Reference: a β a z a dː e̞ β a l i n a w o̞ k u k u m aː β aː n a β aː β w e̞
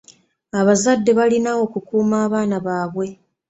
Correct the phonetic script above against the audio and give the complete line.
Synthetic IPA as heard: a β a z a dː e̞ β a l i n a w o̞ k u k uː m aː β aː n a β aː β w e̞

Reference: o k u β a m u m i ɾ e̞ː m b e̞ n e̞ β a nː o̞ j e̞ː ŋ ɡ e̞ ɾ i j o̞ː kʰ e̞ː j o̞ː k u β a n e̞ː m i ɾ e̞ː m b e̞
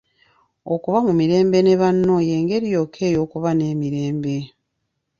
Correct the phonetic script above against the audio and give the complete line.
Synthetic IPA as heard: o k u β a m u m i ɾ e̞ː m b e̞ n e̞ β a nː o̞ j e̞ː ŋ ɡ e̞ ɾ i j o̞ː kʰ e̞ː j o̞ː k u β a n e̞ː m i ɾ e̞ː m b e̞

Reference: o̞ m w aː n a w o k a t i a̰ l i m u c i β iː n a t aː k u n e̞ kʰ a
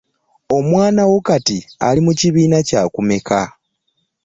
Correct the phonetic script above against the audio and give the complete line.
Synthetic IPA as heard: o̞ m w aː n a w o k a t i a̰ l i m u c i β iː n a c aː k u m e̞ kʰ a

